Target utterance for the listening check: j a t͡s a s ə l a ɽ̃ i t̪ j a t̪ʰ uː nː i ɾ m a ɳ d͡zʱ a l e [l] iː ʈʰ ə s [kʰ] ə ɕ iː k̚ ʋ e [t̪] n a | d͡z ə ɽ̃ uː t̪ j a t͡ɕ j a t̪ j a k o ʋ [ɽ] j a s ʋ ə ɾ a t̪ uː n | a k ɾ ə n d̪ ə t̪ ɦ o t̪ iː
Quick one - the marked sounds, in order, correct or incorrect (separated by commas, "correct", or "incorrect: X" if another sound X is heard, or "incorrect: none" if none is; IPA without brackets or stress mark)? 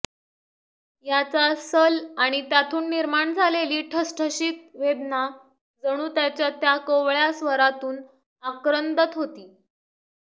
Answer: correct, incorrect: ʈʰ, incorrect: d̪, incorrect: ɭ